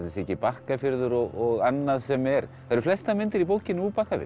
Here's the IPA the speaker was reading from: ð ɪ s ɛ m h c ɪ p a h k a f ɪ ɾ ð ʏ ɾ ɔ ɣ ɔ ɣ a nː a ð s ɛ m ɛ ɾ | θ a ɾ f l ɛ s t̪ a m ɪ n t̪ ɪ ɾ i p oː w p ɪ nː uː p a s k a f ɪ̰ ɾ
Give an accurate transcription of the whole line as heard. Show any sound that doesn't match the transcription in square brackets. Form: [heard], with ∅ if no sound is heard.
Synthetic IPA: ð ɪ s ɛ [∅] h c ɪ p a h k a f ɪ ɾ ð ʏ ɾ ɔ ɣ ɔ ɣ a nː a ð s ɛ m ɛ ɾ | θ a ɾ f l ɛ s t̪ a m ɪ n t̪ ɪ ɾ i p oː w [c] ɪ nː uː p a [h] k a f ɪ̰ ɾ